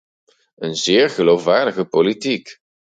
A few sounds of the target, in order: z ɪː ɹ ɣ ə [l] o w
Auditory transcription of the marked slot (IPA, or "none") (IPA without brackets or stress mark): l